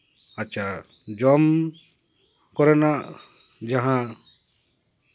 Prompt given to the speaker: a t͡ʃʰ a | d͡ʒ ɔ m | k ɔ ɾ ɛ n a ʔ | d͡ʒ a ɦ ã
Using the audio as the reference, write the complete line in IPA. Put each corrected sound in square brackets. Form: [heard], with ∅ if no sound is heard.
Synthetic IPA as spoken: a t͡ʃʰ a | d͡ʒ ɔ m | k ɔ ɾ ɛ n a ʔ | d͡ʒ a ɦ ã